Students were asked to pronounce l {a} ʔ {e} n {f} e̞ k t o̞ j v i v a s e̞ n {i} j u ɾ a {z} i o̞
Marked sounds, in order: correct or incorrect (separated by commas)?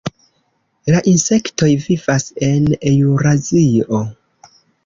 correct, incorrect, incorrect, incorrect, correct